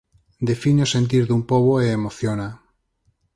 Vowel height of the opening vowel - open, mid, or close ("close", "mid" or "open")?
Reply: mid